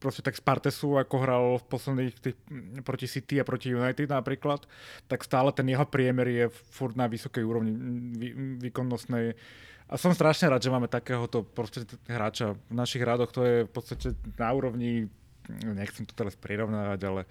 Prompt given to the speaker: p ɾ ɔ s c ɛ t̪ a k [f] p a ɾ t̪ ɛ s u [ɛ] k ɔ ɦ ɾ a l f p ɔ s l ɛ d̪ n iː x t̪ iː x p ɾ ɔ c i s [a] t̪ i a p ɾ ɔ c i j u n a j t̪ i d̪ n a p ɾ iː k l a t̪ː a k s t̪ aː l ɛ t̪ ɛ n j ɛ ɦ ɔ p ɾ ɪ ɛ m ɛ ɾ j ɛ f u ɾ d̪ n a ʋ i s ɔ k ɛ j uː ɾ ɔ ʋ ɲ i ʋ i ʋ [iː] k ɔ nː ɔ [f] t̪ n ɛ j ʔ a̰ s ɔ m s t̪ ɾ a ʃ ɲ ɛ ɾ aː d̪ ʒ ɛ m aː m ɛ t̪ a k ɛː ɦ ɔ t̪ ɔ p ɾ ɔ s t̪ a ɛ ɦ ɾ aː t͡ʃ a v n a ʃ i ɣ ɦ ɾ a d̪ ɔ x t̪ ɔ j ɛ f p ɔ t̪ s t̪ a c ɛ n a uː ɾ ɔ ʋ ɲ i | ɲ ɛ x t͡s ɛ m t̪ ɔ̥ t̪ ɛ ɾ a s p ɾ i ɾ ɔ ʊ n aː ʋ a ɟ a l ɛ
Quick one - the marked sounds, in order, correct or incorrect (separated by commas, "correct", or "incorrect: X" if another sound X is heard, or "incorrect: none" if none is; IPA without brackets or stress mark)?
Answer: incorrect: s, incorrect: a, incorrect: i, correct, incorrect: s